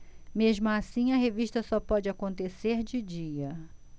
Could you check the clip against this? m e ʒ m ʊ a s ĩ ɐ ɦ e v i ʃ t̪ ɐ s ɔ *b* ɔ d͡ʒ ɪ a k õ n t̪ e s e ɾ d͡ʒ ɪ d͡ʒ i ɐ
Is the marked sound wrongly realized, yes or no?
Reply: yes